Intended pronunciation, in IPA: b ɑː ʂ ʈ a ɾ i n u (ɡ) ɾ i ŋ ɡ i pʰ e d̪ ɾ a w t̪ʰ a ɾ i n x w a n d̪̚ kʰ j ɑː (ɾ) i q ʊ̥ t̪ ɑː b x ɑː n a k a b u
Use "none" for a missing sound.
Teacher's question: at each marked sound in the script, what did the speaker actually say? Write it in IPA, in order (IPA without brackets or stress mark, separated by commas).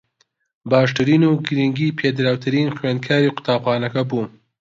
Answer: ɡ, ɾ